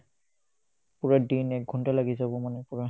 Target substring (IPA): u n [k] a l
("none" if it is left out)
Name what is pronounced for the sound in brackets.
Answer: t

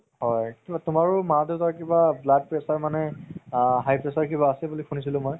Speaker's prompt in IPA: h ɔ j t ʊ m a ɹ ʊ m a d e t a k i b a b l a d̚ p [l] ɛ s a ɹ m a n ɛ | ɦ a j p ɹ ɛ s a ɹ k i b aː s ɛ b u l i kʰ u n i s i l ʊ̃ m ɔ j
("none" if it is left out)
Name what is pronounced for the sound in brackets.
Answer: ɹ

